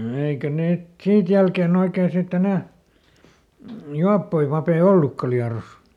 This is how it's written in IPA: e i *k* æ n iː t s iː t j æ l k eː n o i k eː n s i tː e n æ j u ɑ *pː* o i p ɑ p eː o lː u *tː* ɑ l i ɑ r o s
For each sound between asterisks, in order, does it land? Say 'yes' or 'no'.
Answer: yes, yes, no

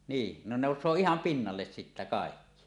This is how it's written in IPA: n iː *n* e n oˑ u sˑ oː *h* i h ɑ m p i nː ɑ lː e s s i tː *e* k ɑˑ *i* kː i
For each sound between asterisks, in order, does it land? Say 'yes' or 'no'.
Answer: yes, no, no, no

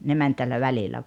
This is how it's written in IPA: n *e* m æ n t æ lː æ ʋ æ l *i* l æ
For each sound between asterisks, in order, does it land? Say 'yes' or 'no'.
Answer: yes, yes

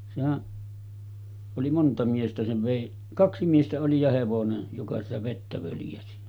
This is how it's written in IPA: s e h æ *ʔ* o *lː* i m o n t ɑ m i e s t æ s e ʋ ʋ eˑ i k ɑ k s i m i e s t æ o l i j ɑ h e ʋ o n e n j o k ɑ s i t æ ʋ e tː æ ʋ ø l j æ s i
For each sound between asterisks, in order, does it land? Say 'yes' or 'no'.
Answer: yes, no

